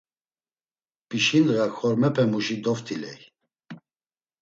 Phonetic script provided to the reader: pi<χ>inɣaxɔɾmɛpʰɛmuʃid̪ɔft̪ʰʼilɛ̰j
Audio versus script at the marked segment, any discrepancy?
yes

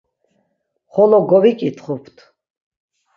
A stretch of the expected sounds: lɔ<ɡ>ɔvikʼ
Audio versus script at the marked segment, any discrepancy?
no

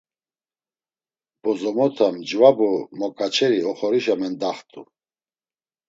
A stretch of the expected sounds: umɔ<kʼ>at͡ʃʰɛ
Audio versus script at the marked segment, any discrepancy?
no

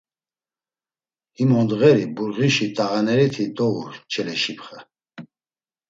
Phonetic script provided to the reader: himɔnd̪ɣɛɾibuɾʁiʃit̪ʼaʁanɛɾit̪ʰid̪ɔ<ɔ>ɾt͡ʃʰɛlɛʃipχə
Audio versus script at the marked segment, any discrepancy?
yes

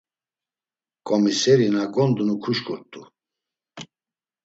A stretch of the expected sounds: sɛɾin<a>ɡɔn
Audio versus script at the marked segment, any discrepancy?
no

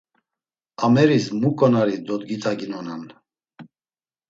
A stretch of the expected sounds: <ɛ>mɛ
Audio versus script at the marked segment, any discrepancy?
yes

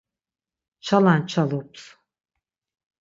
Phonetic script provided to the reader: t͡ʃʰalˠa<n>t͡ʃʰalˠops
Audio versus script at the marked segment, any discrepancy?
no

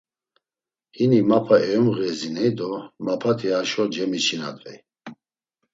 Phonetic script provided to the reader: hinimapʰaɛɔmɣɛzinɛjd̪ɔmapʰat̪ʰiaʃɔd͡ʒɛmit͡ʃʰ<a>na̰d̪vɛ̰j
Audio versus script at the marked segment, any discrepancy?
yes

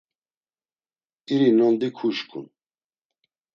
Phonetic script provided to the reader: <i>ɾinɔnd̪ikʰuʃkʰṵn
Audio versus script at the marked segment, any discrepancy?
no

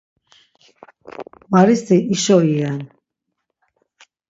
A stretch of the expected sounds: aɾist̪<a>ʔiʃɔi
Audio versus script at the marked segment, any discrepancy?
yes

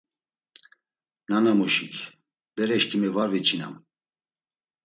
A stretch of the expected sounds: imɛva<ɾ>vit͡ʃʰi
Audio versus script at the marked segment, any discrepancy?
no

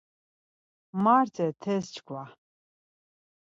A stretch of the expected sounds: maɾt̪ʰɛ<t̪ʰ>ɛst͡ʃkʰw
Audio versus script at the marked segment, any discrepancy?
no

